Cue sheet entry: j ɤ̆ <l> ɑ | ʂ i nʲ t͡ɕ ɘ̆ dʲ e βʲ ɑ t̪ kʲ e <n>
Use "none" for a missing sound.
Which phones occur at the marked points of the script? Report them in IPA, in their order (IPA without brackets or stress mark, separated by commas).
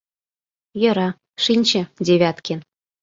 ɾ, n